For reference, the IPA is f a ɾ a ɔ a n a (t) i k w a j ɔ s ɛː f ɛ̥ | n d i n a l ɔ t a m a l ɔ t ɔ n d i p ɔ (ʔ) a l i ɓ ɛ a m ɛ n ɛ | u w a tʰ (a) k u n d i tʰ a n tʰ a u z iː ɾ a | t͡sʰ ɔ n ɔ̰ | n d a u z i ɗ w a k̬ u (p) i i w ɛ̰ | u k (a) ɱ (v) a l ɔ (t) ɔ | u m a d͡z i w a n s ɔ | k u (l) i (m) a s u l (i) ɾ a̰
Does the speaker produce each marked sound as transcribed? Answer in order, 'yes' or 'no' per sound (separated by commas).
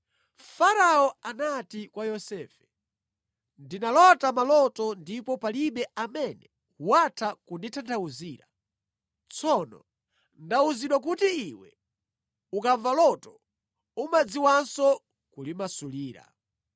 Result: yes, no, yes, no, yes, yes, yes, yes, yes, no